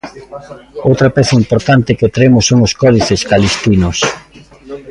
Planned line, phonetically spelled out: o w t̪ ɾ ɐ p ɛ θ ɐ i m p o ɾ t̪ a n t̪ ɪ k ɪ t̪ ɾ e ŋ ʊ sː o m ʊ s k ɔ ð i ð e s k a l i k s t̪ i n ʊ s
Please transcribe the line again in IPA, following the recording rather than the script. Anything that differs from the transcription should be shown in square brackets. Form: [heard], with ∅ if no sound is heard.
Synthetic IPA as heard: o w t̪ ɾ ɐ p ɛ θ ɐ i m p o ɾ t̪ a n t̪ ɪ k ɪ t̪ ɾ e [m] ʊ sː o [ŋ] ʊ s k ɔ ð i [θ] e s k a l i [∅] s t̪ i n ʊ s